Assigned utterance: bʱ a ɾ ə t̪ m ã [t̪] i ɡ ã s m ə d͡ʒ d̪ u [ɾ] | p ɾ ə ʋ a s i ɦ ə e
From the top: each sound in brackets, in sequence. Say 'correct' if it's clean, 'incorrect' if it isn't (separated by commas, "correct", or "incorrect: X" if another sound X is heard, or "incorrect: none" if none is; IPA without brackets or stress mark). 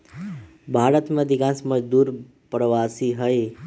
incorrect: d̪, correct